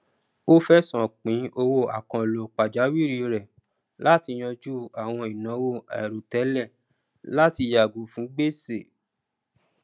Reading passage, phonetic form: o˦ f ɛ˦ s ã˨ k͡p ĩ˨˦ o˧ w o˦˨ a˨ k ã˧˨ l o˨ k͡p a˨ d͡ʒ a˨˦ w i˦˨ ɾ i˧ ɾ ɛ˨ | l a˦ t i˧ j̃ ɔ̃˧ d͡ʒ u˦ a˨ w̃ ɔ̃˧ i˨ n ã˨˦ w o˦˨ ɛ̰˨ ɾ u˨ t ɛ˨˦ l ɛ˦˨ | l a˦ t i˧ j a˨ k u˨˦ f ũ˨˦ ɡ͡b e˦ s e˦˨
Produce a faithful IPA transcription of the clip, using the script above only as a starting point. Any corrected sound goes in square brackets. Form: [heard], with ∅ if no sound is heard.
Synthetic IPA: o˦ f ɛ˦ s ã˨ k͡p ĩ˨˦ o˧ w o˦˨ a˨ k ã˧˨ l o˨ k͡p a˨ d͡ʒ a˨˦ w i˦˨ ɾ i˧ ɾ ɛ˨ | l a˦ t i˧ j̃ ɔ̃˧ d͡ʒ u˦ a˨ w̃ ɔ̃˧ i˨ n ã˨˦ w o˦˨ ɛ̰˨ ɾ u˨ t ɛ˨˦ l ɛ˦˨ | l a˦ t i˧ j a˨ [ɡ] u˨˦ f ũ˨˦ ɡ͡b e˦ s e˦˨